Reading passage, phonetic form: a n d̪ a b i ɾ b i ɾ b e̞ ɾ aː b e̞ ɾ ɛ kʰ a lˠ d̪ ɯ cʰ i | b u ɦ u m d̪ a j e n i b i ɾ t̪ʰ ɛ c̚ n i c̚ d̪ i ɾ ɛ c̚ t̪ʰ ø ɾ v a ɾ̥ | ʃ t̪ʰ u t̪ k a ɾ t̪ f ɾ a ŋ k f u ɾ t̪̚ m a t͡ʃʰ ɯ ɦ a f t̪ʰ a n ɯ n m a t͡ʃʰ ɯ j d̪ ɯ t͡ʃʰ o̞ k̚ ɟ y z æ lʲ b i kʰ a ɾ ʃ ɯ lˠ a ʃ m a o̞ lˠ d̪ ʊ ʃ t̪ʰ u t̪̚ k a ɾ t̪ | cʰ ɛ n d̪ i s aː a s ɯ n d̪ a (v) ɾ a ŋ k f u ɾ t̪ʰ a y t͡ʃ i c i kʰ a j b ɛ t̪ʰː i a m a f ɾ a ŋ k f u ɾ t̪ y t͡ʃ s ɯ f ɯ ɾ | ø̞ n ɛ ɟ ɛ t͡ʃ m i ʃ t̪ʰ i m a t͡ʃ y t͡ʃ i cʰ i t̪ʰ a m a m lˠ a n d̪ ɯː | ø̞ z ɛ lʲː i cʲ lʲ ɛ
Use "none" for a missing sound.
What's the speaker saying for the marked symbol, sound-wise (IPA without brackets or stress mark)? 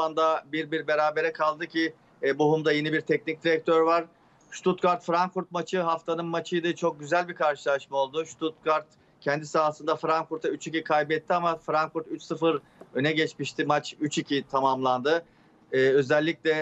f